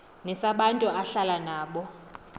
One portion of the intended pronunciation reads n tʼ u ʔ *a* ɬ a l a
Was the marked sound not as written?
no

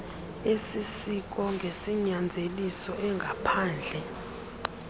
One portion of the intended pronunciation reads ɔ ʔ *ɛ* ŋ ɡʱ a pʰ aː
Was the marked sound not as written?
no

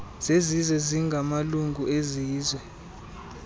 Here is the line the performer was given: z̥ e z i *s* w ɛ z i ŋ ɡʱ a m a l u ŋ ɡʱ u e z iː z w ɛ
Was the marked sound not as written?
yes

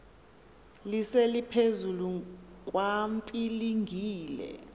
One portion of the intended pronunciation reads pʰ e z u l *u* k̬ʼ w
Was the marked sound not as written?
no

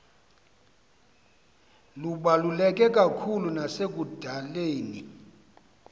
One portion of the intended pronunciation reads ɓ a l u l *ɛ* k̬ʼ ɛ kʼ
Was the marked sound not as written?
no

